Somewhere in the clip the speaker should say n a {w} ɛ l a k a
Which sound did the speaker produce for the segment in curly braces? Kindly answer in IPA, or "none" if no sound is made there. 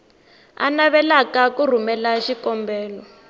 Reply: β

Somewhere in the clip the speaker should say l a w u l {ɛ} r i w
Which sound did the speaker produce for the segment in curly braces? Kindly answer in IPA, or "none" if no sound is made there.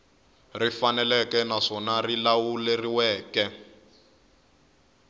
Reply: e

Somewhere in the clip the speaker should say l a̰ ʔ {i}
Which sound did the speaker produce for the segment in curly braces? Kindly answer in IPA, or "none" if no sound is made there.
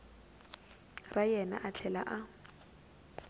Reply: a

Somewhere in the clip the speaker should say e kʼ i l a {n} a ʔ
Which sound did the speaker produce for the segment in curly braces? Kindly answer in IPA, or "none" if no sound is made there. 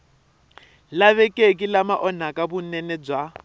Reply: m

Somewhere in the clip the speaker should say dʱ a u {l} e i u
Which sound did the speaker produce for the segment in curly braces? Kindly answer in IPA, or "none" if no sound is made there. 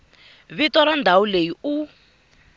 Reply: l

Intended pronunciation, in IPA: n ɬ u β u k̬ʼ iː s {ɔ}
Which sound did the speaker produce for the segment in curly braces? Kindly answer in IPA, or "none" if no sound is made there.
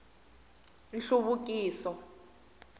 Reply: ɔ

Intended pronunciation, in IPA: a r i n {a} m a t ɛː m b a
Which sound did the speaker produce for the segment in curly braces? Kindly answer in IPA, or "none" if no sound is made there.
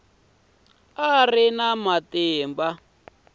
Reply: a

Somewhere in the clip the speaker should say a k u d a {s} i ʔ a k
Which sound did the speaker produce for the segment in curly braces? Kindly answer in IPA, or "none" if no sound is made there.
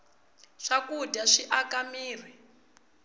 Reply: ʂ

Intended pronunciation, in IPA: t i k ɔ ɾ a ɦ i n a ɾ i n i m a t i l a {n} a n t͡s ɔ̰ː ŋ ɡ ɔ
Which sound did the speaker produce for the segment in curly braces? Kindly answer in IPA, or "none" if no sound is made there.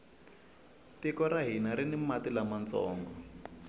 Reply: m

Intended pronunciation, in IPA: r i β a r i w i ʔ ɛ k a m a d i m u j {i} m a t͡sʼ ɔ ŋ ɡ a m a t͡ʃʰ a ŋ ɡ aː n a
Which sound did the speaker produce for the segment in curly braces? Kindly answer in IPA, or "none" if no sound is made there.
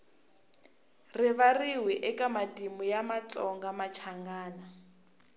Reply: a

